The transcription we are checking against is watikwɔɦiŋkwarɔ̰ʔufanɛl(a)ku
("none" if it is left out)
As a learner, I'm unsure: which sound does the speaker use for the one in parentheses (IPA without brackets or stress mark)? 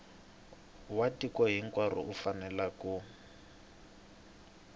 a